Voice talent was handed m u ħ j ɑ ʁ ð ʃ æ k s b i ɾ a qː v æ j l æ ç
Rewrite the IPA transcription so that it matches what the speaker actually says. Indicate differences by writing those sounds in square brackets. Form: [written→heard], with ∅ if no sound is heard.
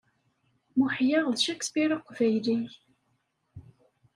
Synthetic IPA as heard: m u ħ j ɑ ʁ ð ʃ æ k s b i ɾ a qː v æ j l [æ→i] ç